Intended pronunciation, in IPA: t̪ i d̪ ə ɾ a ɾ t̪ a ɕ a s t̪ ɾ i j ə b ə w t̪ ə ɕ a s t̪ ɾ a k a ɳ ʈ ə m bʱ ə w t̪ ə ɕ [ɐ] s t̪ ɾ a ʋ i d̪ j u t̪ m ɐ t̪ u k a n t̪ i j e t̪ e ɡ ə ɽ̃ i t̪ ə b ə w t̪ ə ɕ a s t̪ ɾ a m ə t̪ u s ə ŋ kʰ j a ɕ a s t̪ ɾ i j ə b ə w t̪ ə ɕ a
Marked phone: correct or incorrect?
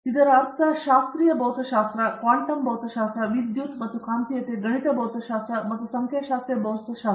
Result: incorrect